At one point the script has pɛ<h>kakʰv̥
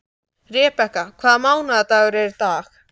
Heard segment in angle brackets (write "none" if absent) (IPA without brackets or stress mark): h